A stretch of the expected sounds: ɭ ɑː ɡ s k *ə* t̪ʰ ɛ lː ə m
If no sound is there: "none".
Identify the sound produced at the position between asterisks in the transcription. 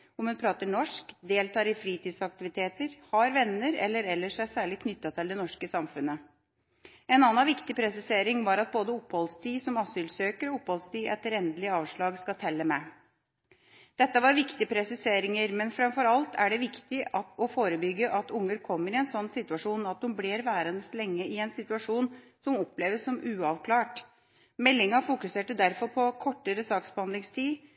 ɑ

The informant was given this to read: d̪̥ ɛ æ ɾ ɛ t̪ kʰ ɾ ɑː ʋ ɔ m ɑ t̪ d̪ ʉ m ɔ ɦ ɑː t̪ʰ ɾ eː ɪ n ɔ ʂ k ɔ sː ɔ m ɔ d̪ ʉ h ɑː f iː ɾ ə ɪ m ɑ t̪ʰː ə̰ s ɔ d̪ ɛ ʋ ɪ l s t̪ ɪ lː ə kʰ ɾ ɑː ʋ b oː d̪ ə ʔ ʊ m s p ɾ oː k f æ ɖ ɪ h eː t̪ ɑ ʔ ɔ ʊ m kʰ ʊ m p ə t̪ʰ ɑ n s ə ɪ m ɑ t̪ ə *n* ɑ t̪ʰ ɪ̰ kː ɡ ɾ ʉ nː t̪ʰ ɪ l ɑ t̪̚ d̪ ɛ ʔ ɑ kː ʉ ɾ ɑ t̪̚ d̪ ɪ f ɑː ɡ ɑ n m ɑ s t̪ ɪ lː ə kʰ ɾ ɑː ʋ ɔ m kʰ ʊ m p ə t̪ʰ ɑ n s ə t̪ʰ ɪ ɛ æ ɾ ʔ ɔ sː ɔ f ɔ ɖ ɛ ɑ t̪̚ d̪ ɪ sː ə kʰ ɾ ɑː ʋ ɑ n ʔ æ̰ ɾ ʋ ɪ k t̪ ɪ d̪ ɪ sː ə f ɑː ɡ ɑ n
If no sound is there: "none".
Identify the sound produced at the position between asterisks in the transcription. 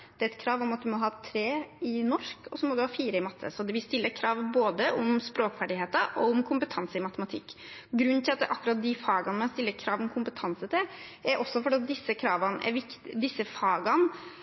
m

